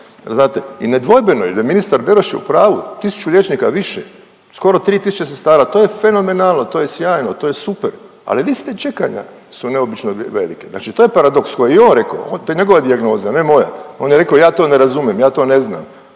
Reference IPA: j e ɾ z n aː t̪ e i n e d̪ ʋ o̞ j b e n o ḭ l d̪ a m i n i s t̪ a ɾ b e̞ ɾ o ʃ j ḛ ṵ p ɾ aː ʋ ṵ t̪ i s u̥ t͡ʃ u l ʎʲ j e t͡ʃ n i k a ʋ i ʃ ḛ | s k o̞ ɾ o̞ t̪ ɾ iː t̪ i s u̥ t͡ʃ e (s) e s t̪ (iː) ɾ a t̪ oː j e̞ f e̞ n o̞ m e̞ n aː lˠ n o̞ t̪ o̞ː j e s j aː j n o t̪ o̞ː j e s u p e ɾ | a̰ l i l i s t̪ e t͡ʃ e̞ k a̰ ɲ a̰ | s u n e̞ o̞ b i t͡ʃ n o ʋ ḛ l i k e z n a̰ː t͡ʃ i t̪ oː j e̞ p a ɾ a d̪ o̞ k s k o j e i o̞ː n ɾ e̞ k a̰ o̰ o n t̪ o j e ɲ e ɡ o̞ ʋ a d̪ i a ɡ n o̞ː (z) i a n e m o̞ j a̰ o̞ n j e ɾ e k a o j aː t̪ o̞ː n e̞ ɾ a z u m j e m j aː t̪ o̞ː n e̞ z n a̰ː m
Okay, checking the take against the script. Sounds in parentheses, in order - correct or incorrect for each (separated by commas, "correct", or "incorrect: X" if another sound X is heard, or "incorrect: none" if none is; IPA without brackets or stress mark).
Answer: correct, incorrect: aː, correct